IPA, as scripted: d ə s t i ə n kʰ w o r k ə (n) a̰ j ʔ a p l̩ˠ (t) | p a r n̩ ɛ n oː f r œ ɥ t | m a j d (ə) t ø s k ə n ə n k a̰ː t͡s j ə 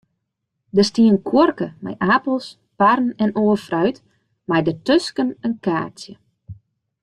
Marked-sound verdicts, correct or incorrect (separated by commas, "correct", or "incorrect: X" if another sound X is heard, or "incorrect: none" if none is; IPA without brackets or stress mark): incorrect: m, incorrect: s, correct